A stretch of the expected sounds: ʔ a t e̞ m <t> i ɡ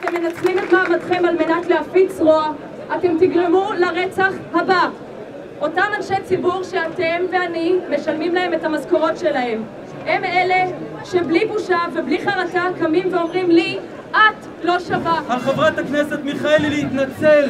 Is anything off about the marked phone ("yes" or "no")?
no